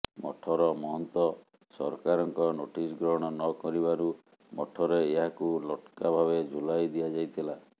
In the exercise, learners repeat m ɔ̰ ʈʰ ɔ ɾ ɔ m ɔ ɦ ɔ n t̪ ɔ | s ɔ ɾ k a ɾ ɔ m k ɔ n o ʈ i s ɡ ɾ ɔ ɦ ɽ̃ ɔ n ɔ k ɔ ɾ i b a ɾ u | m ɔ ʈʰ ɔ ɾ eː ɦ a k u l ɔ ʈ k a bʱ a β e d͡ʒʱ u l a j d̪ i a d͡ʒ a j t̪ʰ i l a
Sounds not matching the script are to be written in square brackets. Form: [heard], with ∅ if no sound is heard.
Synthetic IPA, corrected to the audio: m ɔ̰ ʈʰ ɔ ɾ ɔ m ɔ ɦ ɔ n t̪ ɔ | s ɔ ɾ k a ɾ ɔ [ŋ] k ɔ n o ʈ i s ɡ ɾ ɔ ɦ ɽ̃ ɔ n ɔ k ɔ ɾ i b a ɾ u | m ɔ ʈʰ ɔ ɾ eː ɦ a k u l ɔ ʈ k a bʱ a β e d͡ʒʱ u l a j d̪ i a d͡ʒ a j t̪ʰ i l a

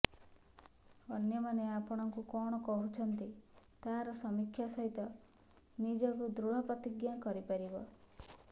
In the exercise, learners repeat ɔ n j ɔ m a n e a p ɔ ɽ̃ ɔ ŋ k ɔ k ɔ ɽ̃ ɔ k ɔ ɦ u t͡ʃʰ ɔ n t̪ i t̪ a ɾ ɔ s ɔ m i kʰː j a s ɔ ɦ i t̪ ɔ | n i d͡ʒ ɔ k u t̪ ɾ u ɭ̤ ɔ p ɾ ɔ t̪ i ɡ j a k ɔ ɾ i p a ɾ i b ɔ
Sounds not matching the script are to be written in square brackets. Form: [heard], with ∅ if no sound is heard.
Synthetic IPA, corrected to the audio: ɔ n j ɔ m a n e a p ɔ ɽ̃ ɔ ŋ k [u] k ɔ ɽ̃ ɔ k ɔ ɦ u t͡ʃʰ ɔ n t̪ i t̪ a ɾ ɔ s ɔ m i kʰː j a s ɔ ɦ i t̪ ɔ | n i d͡ʒ ɔ k u [d̪] ɾ u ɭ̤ ɔ p ɾ ɔ t̪ i ɡ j a k ɔ ɾ i p a ɾ i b ɔ

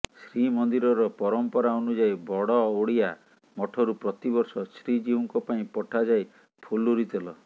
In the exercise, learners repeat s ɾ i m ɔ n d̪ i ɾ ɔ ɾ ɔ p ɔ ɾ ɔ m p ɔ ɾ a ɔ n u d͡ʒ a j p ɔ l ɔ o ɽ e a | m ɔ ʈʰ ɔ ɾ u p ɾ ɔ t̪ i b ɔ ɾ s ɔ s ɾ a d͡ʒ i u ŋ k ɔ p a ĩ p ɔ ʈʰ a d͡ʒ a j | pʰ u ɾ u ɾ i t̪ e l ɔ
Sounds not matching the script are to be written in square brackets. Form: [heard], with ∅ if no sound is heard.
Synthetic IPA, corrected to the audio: s ɾ i m ɔ n d̪ i ɾ ɔ ɾ ɔ p ɔ ɾ ɔ m p ɔ ɾ a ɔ n u d͡ʒ a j [b] ɔ [ɽ] ɔ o ɽ [i] a | m ɔ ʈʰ ɔ ɾ u p ɾ ɔ t̪ i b ɔ ɾ s ɔ s ɾ [i] d͡ʒ i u ŋ k ɔ p a ĩ p ɔ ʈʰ a d͡ʒ a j | pʰ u [l] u ɾ i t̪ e l ɔ

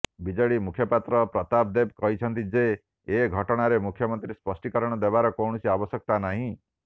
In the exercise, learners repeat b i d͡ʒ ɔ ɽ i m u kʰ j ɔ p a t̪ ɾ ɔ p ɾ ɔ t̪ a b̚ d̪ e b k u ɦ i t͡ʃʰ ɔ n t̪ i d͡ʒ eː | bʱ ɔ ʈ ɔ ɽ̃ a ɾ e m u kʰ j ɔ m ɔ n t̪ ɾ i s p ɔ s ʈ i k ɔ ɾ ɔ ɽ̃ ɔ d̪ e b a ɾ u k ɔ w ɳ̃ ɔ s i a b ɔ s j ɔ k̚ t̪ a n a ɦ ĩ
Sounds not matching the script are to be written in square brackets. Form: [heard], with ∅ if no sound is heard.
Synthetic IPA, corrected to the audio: b i d͡ʒ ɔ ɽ i m u kʰ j ɔ p a t̪ ɾ ɔ p ɾ ɔ t̪ a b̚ d̪ e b k [ɔ] ɦ i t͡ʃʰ ɔ n t̪ i d͡ʒ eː | [ɡʱ] ɔ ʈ ɔ ɽ̃ a ɾ e m u kʰ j ɔ m ɔ n t̪ ɾ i s p ɔ s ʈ i k ɔ ɾ ɔ ɽ̃ ɔ d̪ e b a ɾ [ɔ] k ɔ w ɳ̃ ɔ s i a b ɔ s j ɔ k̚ t̪ a n a ɦ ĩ

